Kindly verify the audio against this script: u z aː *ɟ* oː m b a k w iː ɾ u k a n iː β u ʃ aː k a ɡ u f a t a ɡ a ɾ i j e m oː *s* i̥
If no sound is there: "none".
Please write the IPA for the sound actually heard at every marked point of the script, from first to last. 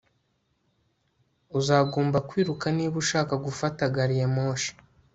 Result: ɡ, ʃ

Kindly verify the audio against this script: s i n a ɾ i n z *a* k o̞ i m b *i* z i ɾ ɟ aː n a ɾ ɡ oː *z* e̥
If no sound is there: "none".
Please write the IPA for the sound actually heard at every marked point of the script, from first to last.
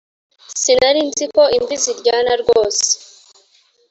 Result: i, i, s

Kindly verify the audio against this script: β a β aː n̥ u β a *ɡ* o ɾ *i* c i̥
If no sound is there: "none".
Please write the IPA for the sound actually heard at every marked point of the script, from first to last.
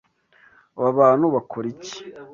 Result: k, i

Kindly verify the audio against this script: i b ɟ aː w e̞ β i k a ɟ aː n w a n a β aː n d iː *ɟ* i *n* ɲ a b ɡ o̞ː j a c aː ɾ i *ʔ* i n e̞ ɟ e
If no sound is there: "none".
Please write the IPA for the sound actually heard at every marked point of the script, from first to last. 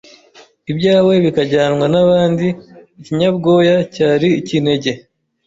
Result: c, none, c

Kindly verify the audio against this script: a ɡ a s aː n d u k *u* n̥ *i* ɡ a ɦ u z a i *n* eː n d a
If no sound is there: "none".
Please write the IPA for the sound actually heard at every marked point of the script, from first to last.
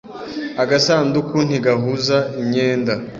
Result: u, i, ɲ

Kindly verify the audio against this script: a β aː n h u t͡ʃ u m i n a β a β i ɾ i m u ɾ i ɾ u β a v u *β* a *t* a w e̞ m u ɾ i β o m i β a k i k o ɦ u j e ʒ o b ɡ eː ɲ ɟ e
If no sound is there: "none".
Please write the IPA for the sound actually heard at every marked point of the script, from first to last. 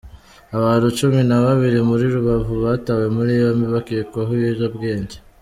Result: β, t

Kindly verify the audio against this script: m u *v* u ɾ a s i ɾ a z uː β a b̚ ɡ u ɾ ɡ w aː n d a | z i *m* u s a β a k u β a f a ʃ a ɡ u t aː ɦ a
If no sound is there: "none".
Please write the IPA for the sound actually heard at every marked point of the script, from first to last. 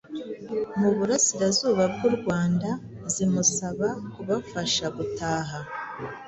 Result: β, m

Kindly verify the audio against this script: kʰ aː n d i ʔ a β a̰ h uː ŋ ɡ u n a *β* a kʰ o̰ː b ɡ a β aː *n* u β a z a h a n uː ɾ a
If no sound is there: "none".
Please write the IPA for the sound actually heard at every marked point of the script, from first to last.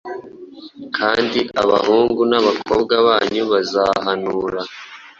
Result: β, ɲ

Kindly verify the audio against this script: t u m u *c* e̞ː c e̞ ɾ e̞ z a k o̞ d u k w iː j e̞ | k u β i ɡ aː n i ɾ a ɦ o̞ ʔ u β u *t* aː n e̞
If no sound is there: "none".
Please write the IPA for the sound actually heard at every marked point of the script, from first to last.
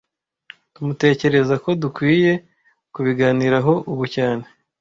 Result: t, c

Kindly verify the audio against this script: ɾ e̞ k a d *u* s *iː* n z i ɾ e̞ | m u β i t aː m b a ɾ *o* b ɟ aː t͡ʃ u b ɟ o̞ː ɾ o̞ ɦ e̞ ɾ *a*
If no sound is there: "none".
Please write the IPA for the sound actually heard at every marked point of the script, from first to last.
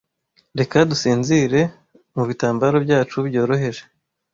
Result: u, iː, o, e

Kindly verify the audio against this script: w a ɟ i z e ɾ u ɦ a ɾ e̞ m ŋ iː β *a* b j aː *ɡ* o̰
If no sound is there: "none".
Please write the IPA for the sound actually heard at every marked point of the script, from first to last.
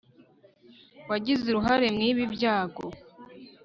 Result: i, ɡ

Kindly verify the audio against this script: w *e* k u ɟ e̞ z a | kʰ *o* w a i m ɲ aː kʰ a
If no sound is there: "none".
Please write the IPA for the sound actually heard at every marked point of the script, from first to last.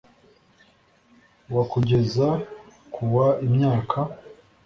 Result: a, u

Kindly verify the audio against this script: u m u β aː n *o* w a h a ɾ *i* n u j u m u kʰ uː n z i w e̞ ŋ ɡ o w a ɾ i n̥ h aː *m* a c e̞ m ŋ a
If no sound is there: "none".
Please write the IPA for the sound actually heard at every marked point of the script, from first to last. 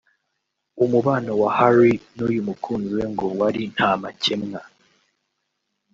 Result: o, i, m

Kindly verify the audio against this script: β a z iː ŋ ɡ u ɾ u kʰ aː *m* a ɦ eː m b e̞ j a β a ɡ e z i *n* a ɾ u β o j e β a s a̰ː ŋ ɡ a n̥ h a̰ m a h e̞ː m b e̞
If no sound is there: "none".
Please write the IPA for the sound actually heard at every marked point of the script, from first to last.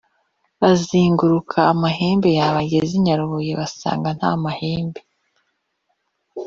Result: m, ɲ

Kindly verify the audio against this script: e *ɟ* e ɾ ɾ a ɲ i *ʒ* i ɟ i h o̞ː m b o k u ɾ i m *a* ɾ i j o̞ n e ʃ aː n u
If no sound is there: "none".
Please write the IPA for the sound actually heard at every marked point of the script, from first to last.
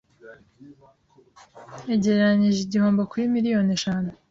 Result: ɟ, ʒ, i

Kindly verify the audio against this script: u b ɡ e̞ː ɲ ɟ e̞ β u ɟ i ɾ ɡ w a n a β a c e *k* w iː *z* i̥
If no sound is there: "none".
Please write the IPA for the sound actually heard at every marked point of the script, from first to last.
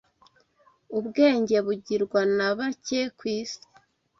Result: k, s

